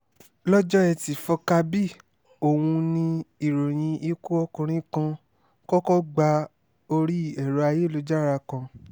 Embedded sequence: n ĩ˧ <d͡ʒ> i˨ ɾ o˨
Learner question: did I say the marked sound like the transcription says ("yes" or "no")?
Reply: no